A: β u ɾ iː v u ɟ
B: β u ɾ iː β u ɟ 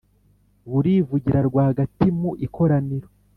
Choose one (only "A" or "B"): A